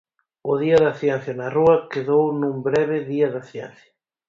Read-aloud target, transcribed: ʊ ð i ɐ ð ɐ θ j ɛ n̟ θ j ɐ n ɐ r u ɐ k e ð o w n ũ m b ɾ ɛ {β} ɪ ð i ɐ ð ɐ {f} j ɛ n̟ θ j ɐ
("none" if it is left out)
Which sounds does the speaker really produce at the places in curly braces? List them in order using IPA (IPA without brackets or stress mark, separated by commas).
β, θ